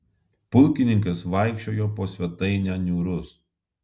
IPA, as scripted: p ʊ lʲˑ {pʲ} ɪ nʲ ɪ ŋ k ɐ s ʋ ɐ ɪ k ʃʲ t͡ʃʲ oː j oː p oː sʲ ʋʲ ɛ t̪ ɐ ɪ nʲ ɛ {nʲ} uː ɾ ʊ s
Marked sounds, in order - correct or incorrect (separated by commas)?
incorrect, correct